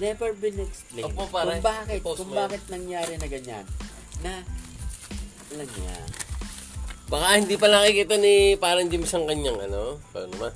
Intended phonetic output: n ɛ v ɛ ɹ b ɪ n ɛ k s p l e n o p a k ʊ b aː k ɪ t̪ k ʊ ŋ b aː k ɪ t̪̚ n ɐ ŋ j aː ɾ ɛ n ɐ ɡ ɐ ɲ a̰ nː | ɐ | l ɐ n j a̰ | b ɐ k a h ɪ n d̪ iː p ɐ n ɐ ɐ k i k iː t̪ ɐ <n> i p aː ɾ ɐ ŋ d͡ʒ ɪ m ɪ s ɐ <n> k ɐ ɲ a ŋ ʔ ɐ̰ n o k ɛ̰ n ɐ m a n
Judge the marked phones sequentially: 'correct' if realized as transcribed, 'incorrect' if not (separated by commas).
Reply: correct, incorrect